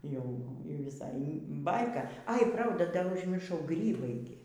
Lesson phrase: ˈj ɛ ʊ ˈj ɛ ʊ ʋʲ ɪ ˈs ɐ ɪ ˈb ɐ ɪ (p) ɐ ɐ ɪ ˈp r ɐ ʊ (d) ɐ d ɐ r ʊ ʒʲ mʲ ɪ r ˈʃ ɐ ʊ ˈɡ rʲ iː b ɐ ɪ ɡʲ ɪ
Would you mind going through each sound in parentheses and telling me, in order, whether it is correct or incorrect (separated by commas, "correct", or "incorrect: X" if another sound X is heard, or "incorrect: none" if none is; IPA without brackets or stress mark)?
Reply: incorrect: k, correct